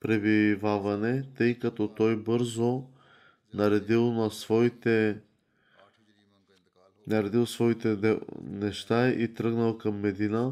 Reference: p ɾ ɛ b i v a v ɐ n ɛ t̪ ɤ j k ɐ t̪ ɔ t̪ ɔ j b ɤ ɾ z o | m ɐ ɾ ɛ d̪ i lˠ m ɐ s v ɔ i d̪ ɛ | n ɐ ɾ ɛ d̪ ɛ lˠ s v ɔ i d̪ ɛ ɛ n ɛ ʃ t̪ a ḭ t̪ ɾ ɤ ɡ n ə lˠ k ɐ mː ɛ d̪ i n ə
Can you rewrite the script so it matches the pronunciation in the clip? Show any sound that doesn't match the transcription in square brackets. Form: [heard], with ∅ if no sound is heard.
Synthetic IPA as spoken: p ɾ ɛ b i v a v ɐ n ɛ t̪ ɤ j k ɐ t̪ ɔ t̪ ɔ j b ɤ ɾ z o | [n] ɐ ɾ ɛ d̪ i lˠ [n] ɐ s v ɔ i [t̪] ɛ | n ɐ ɾ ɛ d̪ [i] lˠ s v ɔ i [t̪] ɛ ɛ n ɛ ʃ t̪ a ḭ t̪ ɾ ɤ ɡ n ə lˠ k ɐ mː ɛ d̪ i n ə